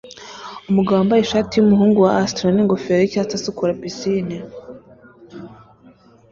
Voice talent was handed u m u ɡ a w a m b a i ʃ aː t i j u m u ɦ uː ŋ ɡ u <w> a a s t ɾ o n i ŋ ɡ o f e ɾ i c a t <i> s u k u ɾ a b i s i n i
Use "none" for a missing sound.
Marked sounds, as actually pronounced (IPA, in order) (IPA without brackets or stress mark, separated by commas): w, a